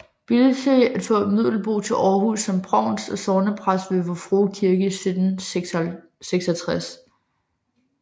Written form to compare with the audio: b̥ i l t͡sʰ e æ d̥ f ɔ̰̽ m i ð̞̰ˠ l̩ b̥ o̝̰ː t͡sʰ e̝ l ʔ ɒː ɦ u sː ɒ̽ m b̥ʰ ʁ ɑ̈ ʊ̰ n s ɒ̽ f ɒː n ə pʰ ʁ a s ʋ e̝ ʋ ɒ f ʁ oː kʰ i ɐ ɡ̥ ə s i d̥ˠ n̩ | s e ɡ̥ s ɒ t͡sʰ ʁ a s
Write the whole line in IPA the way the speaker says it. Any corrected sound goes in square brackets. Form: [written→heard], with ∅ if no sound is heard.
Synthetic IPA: b̥ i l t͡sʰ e æ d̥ f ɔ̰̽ m i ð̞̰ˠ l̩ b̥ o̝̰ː t͡sʰ e̝ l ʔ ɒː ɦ u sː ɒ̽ m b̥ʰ ʁ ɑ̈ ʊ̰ n s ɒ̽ [f→s] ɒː n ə pʰ ʁ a s ʋ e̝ ʋ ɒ f ʁ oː kʰ i ɐ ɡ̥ ə s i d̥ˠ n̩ | s e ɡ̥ s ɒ t͡sʰ ʁ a s